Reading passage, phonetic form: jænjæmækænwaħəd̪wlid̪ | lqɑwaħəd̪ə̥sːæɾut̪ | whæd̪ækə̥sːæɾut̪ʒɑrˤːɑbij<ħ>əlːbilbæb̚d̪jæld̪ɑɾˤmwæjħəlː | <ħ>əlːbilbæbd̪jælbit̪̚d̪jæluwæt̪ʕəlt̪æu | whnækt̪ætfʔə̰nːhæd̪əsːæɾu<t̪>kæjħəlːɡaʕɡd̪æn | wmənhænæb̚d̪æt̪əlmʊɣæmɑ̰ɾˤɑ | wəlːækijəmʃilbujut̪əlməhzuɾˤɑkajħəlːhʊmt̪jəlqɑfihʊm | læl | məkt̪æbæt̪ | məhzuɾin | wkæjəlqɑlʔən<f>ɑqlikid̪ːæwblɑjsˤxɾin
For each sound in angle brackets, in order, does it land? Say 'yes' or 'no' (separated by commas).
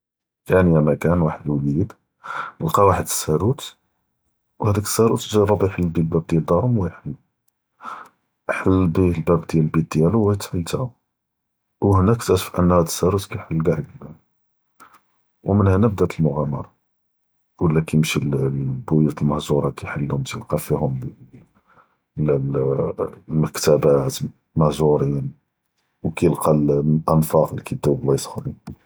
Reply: yes, yes, yes, yes